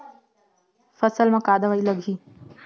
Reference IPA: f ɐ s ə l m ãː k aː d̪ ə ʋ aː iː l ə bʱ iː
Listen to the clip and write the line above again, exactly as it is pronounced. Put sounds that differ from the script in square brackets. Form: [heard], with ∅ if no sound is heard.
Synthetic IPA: f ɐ s ə l m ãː k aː d̪ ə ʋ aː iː l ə [ɡʱ] iː